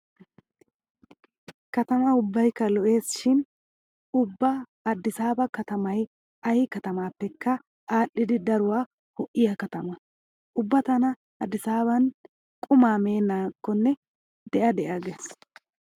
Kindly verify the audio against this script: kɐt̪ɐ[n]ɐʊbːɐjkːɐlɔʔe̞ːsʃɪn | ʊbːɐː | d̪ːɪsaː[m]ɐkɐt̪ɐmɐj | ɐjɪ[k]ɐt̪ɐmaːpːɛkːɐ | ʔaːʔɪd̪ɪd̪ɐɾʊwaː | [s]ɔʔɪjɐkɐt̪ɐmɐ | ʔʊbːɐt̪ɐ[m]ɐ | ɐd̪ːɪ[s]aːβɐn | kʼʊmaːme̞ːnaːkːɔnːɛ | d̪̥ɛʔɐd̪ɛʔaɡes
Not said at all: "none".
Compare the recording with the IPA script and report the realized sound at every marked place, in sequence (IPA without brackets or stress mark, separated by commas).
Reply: m, b, k, h, n, s